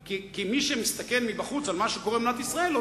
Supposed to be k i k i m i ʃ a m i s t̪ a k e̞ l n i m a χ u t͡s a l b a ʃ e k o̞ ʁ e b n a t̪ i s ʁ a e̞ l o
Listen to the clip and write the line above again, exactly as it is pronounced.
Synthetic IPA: k i k i m i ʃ e m i s t̪ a k e̞ l m i b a χ u t͡s a l m a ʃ e k o̞ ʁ e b n a t̪ i s ʁ a e̞ l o